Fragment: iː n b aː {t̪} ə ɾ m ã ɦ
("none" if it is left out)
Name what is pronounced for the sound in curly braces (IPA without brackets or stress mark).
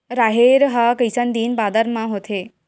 d̪